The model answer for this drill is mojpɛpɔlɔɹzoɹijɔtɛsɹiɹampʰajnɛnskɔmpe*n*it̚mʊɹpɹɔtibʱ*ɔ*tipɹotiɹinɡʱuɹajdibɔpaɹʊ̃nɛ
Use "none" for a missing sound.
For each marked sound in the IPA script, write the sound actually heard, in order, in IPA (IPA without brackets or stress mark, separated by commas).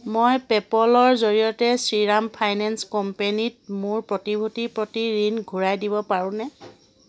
n, u